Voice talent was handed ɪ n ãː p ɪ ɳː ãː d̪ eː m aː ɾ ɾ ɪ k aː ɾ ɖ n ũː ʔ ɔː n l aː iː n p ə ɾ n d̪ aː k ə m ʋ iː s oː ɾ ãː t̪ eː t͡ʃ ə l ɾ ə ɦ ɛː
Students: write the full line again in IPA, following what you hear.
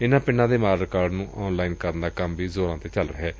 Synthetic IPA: ɪ n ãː p ɪ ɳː ãː d̪ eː m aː ɾ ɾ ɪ k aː ɾ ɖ n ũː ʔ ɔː n l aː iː n k ə ɾ n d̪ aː k ə m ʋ iː z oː ɾ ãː t̪ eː t͡ʃ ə l ɾ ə ɦ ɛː